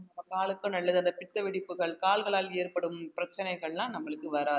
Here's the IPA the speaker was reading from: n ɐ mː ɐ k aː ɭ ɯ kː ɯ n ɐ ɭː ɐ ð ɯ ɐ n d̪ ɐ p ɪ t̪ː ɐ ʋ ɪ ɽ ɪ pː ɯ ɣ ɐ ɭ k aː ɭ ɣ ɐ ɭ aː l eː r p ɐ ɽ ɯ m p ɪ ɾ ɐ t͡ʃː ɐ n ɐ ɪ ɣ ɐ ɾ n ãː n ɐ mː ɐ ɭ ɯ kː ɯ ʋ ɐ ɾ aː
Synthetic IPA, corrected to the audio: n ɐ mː ɐ k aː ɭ ɯ kː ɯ n ɐ ɭː ɐ ð ɯ ɐ n d̪ ɐ p ɪ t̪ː ɐ ʋ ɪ ɽ ɪ pː ɯ ɣ ɐ ɭ k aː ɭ ɣ ɐ ɭ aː l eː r p ɐ ɽ ɯ m p ɪ ɾ ɐ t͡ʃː ɐ n ɐ ɪ ɣ ɐ ɭ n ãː n ɐ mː ɐ ɭ ɯ kː ɯ ʋ ɐ ɾ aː